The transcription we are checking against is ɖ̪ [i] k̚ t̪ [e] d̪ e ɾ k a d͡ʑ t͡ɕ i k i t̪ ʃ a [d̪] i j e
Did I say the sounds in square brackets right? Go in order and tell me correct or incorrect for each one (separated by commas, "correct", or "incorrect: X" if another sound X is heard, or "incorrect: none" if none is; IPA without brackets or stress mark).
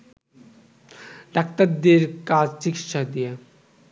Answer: incorrect: a, incorrect: a, correct